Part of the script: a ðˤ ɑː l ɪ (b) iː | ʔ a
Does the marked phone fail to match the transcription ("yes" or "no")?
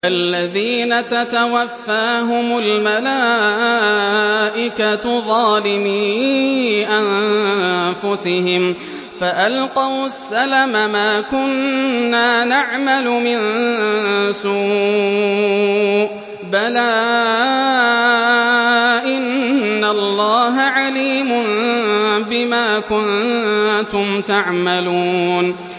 yes